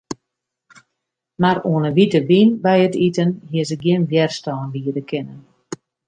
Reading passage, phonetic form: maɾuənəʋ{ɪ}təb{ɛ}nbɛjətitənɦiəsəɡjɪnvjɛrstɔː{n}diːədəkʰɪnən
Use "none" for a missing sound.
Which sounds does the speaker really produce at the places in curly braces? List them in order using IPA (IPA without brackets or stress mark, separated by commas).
i, i, n